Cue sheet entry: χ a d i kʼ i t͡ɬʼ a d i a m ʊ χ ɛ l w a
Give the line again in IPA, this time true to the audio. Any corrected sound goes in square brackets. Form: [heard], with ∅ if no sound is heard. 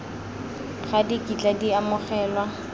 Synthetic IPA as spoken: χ a d i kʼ i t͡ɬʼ a d i a m ʊ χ [ɛː] l w a